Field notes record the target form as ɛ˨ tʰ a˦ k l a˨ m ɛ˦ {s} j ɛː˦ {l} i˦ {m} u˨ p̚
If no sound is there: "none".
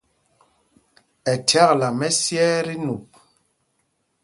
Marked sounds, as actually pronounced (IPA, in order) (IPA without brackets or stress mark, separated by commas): s, ɾ, n